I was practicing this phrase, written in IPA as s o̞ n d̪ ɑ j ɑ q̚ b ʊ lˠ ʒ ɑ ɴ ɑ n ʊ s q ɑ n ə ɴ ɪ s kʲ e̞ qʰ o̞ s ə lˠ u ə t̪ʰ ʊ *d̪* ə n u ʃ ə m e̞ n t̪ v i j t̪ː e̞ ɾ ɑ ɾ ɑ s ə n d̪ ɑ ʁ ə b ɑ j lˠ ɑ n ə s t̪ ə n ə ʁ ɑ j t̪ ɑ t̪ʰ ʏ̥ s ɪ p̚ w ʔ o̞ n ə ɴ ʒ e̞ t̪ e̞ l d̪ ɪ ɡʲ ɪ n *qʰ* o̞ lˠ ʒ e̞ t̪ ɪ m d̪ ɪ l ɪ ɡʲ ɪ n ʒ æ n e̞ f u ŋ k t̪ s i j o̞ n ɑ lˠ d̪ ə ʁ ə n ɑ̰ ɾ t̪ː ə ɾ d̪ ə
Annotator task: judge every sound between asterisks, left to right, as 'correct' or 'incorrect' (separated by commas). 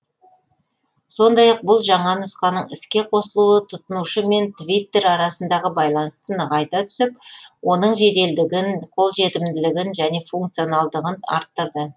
incorrect, correct